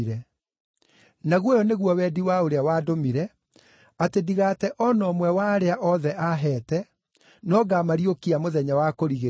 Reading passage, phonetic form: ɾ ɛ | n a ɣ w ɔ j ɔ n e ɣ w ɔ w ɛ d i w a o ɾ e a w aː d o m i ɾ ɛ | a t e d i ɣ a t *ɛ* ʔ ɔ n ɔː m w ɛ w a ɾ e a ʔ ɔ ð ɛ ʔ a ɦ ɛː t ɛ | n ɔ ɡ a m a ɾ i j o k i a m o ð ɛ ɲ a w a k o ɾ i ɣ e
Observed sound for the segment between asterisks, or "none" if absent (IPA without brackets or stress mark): ɛ